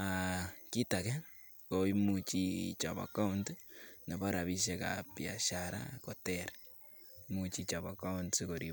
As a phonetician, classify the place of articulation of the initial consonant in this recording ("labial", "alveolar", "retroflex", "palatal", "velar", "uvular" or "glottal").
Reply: velar